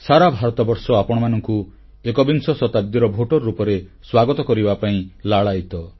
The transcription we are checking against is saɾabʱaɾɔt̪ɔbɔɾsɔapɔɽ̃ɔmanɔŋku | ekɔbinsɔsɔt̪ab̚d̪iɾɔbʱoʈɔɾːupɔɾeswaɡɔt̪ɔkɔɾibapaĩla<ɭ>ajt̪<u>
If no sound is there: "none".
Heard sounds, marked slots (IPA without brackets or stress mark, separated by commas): ɭ, ɔ